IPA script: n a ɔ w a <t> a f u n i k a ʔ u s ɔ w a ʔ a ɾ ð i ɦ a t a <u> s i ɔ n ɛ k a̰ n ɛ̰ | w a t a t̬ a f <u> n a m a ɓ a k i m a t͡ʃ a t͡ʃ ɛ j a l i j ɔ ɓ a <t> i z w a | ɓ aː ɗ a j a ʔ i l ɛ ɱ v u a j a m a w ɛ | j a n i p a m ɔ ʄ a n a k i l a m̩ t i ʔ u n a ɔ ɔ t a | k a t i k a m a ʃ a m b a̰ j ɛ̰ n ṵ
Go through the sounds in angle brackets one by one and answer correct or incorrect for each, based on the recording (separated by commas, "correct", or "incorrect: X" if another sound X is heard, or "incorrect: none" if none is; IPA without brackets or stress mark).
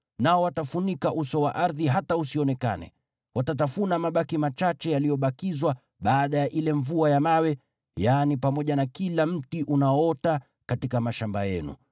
correct, correct, correct, incorrect: k